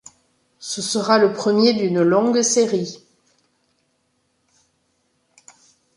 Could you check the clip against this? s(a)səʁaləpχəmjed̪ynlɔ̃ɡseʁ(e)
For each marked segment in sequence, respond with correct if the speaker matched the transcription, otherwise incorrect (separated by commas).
incorrect, incorrect